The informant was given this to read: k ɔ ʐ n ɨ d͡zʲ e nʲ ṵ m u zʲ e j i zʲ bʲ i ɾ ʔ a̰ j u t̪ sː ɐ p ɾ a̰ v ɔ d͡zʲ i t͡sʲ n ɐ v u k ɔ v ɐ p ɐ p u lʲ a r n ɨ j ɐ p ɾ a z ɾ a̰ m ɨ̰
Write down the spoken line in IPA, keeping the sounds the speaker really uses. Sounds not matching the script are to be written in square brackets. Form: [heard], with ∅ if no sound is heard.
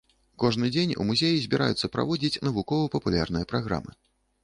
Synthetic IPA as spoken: k ɔ ʐ n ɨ d͡zʲ e nʲ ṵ m u zʲ e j i zʲ bʲ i ɾ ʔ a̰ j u t̪ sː ɐ p ɾ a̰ v ɔ d͡zʲ i t͡sʲ n ɐ v u k ɔ v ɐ p ɐ p u lʲ a r n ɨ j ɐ p ɾ a [ɣ] ɾ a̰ m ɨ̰